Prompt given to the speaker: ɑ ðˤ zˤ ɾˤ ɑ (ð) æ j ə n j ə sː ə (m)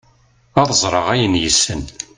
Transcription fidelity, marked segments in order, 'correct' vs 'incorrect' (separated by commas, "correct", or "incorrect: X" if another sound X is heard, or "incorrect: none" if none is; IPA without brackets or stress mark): incorrect: ʁ, incorrect: n